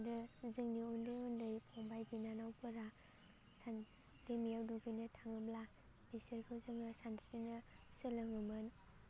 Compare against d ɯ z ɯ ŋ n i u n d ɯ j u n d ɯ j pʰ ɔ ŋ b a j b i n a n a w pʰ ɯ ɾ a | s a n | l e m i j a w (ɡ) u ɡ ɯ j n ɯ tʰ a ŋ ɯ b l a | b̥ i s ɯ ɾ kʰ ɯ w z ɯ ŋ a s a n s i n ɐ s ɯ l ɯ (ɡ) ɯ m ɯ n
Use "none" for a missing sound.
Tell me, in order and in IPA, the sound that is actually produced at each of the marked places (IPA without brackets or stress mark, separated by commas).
d, ŋ